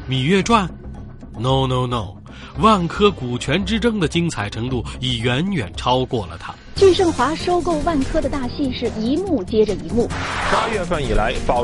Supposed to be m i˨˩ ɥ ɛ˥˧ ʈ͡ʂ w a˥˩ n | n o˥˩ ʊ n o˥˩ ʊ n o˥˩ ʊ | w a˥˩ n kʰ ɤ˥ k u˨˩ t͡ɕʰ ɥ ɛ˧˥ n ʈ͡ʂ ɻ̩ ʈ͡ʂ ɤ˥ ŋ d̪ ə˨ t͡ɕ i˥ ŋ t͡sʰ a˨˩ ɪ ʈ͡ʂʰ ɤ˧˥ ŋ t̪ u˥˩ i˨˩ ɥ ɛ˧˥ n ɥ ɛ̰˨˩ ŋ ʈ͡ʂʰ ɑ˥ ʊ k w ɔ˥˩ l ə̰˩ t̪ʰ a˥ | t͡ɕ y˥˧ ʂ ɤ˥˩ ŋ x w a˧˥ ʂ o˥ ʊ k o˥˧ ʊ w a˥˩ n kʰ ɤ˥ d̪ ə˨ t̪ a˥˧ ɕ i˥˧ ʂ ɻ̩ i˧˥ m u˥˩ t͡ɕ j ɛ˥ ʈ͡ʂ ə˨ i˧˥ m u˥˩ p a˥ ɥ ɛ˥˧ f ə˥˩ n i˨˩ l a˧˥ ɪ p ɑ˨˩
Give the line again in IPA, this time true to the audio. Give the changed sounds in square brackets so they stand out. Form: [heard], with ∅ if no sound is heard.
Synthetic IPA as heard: m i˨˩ ɥ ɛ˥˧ ʈ͡ʂ w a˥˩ n | n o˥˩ ʊ n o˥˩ ʊ n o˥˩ ʊ | w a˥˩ n kʰ ɤ˥ k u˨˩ t͡ɕʰ ɥ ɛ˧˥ n ʈ͡ʂ ɻ̩ ʈ͡ʂ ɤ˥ ŋ d̪ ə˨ t͡ɕ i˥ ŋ t͡sʰ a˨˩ ɪ ʈ͡ʂʰ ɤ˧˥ ŋ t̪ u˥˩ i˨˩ ɥ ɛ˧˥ n ɥ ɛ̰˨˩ [n] ʈ͡ʂʰ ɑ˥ ʊ k w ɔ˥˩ l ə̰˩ t̪ʰ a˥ | t͡ɕ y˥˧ ʂ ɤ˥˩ ŋ x w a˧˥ ʂ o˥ ʊ k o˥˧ ʊ w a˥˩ n kʰ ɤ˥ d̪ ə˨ t̪ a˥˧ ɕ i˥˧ ʂ ɻ̩ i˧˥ m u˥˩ t͡ɕ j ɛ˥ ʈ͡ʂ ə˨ i˧˥ m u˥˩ p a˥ ɥ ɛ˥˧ f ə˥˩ n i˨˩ l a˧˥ ɪ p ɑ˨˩